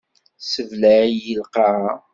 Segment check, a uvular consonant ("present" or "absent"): present